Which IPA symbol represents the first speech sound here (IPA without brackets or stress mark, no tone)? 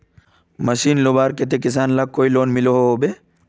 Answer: m